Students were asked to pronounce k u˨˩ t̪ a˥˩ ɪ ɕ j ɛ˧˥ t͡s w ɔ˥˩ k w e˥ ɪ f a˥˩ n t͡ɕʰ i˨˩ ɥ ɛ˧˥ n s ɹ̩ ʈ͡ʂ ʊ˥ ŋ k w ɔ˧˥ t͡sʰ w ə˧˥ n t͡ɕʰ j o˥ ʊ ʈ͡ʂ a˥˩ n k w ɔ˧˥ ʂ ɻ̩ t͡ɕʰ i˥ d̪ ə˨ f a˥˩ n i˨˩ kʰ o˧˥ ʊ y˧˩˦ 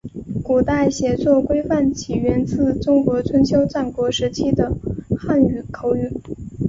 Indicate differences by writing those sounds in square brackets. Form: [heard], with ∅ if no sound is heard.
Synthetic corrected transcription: k u˨˩ t̪ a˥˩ ɪ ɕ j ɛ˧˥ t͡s w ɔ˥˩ k w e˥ ɪ f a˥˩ n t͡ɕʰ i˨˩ ɥ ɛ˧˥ n [t͡s] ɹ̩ ʈ͡ʂ ʊ˥ ŋ k w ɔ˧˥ t͡sʰ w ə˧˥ n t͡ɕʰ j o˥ ʊ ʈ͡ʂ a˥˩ n k w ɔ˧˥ ʂ ɻ̩ t͡ɕʰ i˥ d̪ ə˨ [x] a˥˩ n [y˨˩] kʰ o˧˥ ʊ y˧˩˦